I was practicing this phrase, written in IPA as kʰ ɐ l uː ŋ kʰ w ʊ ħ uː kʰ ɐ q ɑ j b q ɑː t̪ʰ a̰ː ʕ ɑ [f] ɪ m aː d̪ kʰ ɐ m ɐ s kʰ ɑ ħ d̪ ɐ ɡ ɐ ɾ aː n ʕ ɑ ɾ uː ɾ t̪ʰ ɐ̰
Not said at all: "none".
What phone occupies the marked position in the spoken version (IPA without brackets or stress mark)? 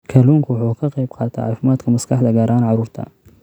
f